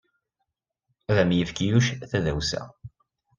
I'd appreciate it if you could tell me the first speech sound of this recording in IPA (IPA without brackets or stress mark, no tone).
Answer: ð